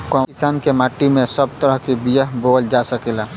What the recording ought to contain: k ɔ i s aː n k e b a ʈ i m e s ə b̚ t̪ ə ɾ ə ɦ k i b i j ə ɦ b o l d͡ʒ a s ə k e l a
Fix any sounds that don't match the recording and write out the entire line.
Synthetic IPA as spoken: k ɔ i s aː n k e m a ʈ i m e s ə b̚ t̪ ə ɾ ə ɦ k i b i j ə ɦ b o l d͡ʒ a s ə k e l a